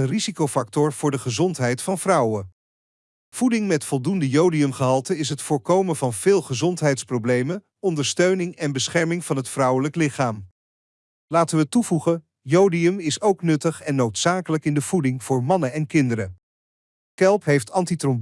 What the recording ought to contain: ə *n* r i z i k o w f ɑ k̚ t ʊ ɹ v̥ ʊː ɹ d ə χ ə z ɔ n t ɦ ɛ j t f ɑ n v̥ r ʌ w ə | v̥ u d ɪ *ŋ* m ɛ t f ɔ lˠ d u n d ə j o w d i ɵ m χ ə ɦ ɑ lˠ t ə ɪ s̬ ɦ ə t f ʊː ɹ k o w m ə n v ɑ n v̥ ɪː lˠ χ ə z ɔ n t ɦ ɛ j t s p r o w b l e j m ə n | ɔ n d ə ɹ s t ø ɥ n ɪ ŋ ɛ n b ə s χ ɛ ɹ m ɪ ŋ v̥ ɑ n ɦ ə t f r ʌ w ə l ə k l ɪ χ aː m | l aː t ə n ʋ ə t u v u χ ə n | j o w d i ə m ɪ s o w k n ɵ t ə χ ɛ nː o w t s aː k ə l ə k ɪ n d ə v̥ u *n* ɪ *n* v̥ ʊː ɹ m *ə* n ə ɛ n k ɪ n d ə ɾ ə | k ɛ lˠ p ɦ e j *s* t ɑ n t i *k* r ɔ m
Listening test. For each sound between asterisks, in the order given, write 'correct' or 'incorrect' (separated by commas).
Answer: correct, correct, incorrect, incorrect, incorrect, incorrect, incorrect